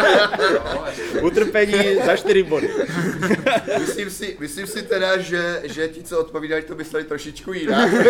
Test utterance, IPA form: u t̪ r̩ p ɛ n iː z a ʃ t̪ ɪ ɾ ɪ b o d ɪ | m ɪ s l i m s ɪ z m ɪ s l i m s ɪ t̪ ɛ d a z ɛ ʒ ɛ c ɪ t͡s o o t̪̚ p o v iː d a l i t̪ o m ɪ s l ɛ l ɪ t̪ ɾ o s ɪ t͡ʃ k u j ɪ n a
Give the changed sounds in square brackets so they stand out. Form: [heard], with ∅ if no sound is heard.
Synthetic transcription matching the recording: u t̪ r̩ p ɛ [ɲ] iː z a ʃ t̪ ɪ ɾ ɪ b o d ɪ | m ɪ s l i m s ɪ [∅] m ɪ s l i m s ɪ t̪ ɛ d a [ʒ] ɛ ʒ ɛ c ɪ t͡s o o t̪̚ p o v iː d a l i t̪ o m ɪ s l ɛ l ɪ t̪ ɾ o [ʃ] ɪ t͡ʃ k u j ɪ n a